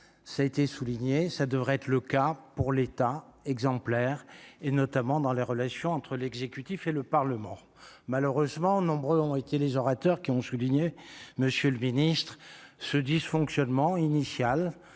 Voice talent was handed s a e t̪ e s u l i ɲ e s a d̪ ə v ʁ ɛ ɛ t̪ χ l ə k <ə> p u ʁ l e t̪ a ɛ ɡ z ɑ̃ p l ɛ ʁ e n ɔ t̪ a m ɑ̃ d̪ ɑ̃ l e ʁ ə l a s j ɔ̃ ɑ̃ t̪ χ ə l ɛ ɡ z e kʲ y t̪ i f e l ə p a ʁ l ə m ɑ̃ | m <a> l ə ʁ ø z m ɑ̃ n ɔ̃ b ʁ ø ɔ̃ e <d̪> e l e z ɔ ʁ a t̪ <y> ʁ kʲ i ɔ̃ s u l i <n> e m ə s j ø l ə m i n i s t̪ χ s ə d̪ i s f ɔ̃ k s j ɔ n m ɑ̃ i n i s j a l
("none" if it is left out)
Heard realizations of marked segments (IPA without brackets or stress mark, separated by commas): a, a, t̪, œ, ɲ